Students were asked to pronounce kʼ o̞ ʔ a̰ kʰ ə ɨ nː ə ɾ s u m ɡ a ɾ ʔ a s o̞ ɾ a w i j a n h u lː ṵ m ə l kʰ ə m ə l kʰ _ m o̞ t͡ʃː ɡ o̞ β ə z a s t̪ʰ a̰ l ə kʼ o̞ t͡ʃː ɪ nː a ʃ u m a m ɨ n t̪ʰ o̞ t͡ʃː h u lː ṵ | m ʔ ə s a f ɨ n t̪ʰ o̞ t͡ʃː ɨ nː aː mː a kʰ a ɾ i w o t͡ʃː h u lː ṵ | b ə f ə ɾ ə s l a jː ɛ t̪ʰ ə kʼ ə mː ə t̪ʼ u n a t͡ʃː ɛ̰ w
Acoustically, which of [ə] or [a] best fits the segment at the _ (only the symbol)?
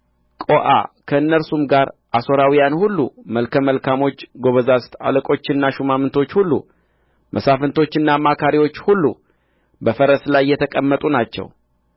a